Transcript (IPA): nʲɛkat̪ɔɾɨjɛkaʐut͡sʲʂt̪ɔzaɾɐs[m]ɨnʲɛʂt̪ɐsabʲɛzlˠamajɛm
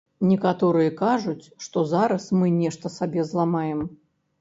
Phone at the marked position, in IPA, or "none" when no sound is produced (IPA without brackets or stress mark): m